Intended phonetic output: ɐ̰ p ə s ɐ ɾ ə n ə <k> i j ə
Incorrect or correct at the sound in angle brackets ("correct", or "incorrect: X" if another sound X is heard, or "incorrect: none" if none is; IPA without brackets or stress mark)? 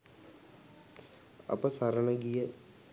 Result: incorrect: ɡ